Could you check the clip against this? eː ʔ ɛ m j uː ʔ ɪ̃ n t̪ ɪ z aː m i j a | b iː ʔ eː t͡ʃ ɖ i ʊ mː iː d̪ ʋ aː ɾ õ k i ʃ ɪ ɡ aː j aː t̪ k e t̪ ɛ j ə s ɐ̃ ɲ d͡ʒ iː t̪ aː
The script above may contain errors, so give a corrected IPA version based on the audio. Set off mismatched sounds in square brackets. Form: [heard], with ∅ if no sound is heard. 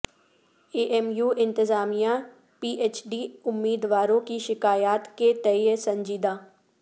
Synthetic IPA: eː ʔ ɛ m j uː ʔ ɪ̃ n t̪ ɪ z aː m i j a | [p] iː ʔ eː t͡ʃ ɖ i ʊ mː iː d̪ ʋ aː ɾ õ k i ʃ ɪ [k] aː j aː t̪ k e t̪ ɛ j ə s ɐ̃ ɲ d͡ʒ iː [d̪] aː